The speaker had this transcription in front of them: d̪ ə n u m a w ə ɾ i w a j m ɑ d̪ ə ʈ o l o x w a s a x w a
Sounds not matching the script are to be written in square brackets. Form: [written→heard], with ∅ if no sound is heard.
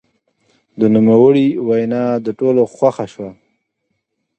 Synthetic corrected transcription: d̪ ə n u m a w ə [ɾ→ɽ] i w a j [m→n] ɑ d̪ ə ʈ o l o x w a [s→x] a [x→ʃ] w a